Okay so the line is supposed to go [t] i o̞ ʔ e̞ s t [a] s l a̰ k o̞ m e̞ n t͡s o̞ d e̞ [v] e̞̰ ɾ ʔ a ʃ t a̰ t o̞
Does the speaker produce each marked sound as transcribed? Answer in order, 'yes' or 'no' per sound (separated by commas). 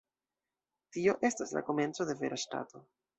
yes, yes, yes